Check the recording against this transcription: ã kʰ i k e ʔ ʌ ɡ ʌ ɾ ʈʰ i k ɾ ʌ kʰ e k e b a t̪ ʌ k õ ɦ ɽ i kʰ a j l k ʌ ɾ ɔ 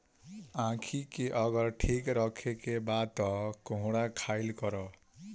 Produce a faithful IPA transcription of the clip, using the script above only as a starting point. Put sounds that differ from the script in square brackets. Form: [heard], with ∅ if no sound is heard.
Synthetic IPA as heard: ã kʰ i k e ʔ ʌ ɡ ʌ ɾ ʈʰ i k ɾ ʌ kʰ e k e b a t̪ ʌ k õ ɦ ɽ [a] kʰ a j l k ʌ ɾ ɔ